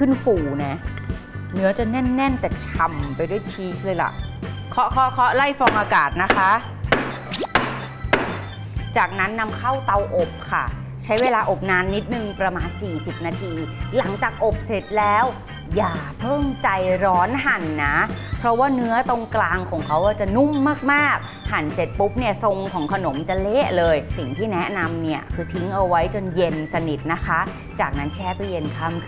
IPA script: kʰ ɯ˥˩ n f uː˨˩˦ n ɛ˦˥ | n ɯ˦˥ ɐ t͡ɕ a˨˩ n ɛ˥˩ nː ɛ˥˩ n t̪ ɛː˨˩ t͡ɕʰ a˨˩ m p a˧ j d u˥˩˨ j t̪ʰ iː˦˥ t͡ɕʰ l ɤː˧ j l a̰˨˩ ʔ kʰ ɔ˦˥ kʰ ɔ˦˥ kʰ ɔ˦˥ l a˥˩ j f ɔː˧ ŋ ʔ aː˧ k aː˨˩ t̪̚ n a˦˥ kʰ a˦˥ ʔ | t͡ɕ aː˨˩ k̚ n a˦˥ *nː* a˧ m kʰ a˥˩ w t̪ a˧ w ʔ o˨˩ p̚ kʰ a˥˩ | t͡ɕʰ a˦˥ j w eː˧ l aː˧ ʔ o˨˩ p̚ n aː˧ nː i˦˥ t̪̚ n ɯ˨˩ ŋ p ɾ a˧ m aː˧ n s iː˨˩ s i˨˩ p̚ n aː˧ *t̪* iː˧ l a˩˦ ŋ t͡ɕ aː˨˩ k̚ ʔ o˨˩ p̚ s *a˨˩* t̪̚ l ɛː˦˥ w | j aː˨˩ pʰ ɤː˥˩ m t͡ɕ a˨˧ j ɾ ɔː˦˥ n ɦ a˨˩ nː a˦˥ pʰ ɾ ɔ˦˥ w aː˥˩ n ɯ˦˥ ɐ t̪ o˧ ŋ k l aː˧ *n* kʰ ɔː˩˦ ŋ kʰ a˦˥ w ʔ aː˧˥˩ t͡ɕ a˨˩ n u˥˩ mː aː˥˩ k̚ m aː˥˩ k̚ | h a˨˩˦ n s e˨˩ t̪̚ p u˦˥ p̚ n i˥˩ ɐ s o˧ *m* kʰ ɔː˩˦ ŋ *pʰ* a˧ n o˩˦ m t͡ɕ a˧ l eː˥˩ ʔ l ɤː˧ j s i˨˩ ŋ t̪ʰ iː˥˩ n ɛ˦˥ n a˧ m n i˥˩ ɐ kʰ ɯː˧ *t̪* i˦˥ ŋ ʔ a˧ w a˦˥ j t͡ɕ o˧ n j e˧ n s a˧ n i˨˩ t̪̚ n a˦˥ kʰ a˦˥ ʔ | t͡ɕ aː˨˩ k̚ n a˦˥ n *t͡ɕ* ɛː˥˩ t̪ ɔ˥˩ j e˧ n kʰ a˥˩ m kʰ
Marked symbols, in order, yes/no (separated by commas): yes, no, no, no, no, no, no, no